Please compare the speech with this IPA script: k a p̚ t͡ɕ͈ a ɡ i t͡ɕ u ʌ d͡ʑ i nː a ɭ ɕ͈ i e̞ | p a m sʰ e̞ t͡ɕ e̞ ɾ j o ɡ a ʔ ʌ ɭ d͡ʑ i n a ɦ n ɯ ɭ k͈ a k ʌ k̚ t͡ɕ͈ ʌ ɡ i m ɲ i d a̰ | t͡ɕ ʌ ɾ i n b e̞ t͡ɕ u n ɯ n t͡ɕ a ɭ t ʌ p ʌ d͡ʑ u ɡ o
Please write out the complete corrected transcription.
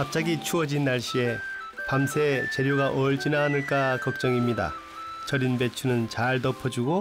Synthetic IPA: k a p̚ t͡ɕ͈ a ɡ i t͡ɕʰ u ʌ d͡ʑ i nː a ɭ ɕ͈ i e̞ | p a m sʰ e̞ t͡ɕ e̞ ɾ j o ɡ a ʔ ʌ ɭ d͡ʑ i n a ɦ n ɯ ɭ k͈ a k ʌ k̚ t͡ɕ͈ ʌ ŋ i m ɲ i d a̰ | t͡ɕ ʌ ɾ i n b e̞ t͡ɕʰ u n ɯ n t͡ɕ a ɭ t ʌ pʰ ʌ d͡ʑ u ɡ o